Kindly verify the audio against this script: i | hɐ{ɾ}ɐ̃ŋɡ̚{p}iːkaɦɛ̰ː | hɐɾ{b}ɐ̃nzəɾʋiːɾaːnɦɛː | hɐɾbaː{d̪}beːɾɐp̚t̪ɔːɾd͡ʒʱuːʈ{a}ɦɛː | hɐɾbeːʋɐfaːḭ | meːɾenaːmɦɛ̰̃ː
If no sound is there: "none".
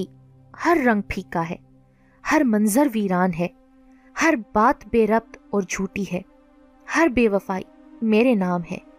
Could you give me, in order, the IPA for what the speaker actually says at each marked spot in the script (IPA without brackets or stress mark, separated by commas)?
ɾː, pʰ, m, t̪, i